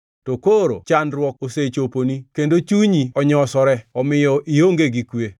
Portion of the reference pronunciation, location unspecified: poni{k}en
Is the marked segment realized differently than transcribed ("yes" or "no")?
no